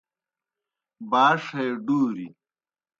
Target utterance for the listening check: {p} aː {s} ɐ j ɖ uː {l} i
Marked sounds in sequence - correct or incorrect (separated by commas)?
incorrect, incorrect, incorrect